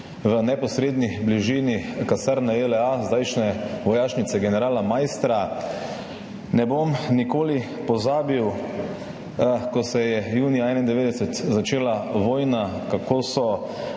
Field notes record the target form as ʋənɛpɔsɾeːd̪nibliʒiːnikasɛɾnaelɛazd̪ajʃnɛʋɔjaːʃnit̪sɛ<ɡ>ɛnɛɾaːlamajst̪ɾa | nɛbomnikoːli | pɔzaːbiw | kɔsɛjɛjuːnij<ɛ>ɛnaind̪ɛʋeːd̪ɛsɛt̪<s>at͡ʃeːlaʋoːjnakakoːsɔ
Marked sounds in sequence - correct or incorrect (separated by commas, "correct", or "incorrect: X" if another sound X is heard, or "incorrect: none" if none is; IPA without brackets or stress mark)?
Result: correct, incorrect: a, incorrect: z